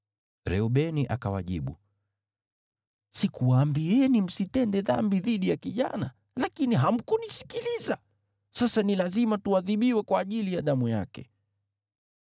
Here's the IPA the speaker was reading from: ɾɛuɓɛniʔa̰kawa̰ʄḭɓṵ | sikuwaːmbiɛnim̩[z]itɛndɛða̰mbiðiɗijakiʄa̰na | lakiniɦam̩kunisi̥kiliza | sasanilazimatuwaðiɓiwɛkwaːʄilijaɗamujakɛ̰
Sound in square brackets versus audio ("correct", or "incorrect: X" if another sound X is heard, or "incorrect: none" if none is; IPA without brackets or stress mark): incorrect: s